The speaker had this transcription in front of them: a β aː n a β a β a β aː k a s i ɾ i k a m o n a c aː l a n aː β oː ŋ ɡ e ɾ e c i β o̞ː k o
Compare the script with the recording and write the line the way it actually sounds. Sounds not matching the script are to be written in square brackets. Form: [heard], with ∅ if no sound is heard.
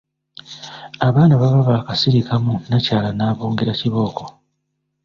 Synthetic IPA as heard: a β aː n a β a β a β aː k a s i ɾ i k a m [u] n a c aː l a n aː β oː ŋ ɡ e ɾ [a] c i β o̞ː k o